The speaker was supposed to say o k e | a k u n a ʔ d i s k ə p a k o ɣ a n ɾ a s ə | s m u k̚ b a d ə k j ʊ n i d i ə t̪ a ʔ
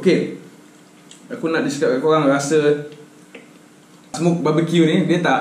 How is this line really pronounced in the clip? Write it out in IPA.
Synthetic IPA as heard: o k e | a k u n a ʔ d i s k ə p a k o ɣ a ŋ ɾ a s ə | s m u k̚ b a b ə k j u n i d i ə t̪ a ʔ